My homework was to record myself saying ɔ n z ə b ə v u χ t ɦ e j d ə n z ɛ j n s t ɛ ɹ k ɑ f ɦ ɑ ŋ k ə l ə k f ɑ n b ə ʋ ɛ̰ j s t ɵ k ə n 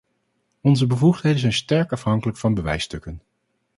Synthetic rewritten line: ɔ n z ə b ə v u χ t ɦ e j d ə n z ɛ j n s t ɛ ɹ k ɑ f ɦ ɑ ŋ k ə l ə k f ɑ n b ə ʋ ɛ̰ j s t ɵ k ə n